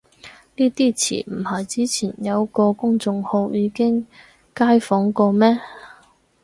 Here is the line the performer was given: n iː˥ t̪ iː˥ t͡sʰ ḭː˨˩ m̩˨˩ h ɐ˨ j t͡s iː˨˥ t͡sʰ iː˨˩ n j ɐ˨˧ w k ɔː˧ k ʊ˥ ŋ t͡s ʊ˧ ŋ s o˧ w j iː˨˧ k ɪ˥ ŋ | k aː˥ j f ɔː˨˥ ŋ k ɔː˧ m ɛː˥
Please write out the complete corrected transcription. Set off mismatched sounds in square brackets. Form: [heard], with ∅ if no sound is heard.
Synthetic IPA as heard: n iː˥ t̪ iː˥ t͡sʰ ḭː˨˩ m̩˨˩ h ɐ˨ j t͡s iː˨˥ t͡sʰ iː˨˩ n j ɐ˨˧ w k ɔː˧ k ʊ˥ ŋ t͡s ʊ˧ ŋ [h] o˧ w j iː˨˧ k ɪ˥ ŋ | k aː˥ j f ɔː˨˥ ŋ k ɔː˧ m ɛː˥